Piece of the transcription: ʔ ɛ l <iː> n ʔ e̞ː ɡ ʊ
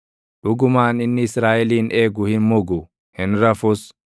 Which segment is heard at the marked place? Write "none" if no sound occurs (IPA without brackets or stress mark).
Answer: iː